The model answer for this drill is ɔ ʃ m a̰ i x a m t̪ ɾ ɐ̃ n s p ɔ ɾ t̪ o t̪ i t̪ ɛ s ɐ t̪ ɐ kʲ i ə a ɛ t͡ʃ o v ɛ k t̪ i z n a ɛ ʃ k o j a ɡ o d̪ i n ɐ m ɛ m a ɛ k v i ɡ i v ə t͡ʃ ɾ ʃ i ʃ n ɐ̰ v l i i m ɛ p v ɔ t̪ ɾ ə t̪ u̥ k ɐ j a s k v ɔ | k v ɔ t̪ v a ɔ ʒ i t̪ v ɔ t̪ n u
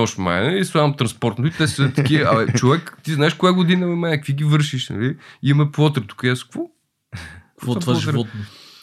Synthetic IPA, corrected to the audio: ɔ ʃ m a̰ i s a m t̪ ɾ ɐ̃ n s p ɔ ɾ t̪ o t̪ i t̪ ɛ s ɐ t̪ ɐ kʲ i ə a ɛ t͡ʃ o v ɛ k t̪ i z n a ɛ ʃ k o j a ɡ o d̪ i n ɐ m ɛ m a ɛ k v i ɡ i v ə ɾ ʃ i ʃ n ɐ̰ l i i m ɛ p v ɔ t̪ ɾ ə t̪ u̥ k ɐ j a s k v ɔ | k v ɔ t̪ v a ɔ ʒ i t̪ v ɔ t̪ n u